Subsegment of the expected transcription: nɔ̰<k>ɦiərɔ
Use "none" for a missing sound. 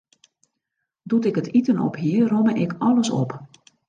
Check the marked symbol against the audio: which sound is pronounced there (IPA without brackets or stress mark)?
p